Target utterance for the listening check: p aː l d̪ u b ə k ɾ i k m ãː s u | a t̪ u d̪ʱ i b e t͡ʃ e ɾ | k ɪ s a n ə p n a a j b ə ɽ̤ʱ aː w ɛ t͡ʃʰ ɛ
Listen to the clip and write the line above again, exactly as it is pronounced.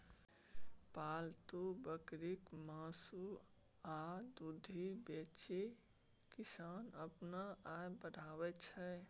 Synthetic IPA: p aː l t̪ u b ə k ɾ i k m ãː s u | a d̪ u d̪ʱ i b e t͡ʃ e | k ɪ s a n ə p n a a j b ə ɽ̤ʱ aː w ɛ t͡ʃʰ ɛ

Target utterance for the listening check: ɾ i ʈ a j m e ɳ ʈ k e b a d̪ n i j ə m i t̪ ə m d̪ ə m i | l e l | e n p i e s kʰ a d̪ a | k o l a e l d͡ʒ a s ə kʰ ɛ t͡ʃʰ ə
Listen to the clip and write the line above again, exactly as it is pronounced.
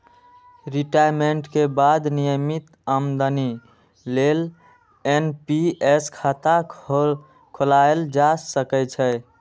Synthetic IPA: ɾ i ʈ a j m e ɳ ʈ k e b a d̪ n i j ə m i t̪ ə m d̪ ə n i | l e l | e n p i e s kʰ a t̪ a | kʰ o l a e l d͡ʒ a s ə k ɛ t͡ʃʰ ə

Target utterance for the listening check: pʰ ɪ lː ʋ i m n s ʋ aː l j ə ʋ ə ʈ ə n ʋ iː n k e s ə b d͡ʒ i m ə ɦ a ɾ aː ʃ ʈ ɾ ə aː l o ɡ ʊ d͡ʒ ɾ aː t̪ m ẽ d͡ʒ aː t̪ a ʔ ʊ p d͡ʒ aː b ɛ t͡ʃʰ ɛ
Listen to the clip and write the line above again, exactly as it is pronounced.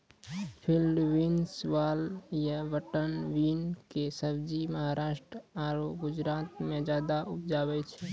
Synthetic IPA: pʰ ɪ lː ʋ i n s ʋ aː l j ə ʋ ə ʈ ə n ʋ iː n k e s ə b d͡ʒ i m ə ɦ a ɾ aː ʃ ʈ ɾ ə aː ɾ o ɡ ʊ d͡ʒ ɾ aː t̪ m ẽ d͡ʒ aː d̪ a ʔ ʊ p d͡ʒ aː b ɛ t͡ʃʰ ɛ

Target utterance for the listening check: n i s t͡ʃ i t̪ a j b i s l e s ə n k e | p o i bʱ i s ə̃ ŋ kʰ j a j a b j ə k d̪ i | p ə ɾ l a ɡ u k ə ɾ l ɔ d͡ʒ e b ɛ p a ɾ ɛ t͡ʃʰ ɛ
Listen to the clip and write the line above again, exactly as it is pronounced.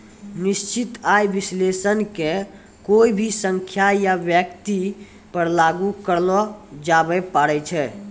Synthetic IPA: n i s t͡ʃ i t̪ a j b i s l e s ə n k e | k o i bʱ i s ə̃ ŋ kʰ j a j a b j ə k t̪ i | p ə ɾ l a ɡ u k ə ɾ l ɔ d͡ʒ a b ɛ p a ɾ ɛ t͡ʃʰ ɛ

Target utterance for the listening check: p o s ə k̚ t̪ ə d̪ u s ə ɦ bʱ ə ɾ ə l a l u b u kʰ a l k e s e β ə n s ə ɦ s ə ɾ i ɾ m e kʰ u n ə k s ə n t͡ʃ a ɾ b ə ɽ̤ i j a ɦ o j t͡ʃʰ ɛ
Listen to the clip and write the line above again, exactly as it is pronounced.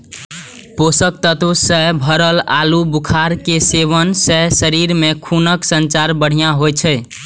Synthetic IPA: p o s ə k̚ t̪ ə t̪ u s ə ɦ bʱ ə ɾ ə l a l u b u kʰ a ɾ k e s e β ə n s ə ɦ s ə ɾ i ɾ m e kʰ u n ə k s ə n t͡ʃ a ɾ b ə ɽ̤ i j a ɦ o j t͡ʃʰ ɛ

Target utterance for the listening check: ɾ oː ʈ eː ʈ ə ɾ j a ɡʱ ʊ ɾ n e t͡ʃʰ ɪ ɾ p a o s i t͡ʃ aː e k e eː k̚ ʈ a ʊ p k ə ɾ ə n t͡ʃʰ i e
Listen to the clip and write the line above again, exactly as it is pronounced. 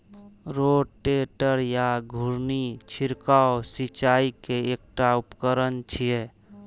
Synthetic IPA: ɾ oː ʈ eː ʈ ə ɾ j a ɡʱ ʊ ɾ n i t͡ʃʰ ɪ ɾ k a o s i t͡ʃ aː i k e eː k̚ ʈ a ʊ p k ə ɾ ə n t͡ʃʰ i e

